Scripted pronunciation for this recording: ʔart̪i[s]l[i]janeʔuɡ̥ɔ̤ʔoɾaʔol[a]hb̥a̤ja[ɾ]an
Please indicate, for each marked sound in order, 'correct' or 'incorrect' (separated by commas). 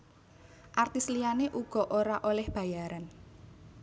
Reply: correct, correct, incorrect, correct